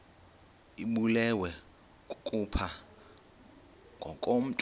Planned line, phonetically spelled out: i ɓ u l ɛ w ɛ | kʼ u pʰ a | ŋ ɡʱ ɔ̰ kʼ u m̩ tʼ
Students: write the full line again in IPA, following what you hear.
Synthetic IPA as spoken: i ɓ u l ɛ w ɛ | kʼ u pʰ a | ŋ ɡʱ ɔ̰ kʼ o m̩ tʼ

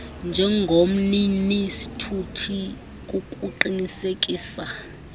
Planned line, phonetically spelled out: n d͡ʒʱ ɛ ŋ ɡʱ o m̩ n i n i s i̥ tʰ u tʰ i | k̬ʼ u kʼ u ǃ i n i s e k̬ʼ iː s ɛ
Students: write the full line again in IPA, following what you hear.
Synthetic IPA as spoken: n d͡ʒʱ ɛ ŋ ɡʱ o m̩ n i n i s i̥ tʰ u tʰ i | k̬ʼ u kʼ u ǃ i n i s e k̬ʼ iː s a

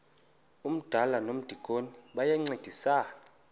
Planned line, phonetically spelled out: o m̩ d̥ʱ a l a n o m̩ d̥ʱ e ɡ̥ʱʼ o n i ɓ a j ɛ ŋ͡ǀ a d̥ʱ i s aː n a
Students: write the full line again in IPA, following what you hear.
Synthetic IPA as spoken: u m̩ d̥ʱ a l a n o m̩ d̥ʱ i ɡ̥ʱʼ o n i ɓ a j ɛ ŋ͡ǀ e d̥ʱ i s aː n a

